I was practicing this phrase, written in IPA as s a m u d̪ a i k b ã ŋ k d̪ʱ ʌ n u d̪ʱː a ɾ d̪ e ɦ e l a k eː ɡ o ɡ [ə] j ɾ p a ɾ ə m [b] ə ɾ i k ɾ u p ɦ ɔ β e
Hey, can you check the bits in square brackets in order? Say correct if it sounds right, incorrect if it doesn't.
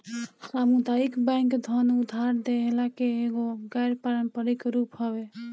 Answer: incorrect: a, incorrect: p

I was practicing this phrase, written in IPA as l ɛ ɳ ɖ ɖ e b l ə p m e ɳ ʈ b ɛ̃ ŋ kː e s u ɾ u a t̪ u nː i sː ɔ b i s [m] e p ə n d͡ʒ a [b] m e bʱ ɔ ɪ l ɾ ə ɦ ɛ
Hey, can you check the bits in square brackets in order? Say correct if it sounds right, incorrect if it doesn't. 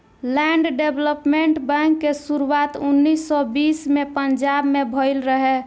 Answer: correct, correct

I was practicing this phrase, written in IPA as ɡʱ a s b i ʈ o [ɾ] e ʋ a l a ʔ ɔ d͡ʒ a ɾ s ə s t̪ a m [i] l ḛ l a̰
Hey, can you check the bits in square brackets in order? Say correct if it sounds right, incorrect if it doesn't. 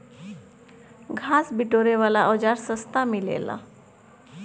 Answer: correct, correct

